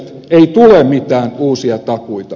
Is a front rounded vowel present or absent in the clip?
absent